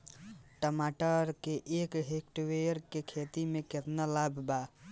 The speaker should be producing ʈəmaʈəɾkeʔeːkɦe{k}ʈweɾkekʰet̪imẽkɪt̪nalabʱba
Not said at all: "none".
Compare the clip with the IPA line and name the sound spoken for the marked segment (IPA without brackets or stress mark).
k